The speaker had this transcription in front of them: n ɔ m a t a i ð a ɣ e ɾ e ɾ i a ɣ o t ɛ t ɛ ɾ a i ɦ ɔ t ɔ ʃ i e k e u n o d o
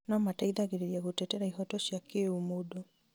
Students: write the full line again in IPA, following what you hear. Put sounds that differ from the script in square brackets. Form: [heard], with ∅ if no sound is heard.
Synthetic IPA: n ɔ m a t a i ð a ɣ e ɾ e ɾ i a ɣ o t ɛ t ɛ ɾ a i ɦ ɔ t ɔ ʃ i [a] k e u [m] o d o